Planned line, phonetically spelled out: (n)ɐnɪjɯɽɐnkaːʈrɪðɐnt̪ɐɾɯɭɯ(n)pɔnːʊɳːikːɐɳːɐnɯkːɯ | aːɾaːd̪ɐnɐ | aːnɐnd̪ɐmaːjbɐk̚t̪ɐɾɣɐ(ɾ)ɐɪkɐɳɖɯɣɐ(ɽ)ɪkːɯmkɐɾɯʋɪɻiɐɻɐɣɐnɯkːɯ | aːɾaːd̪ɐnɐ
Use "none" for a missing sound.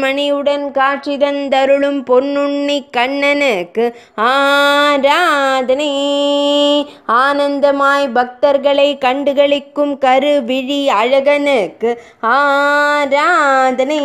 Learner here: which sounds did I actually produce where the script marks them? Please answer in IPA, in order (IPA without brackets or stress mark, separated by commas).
m, m, ɭ, ɭ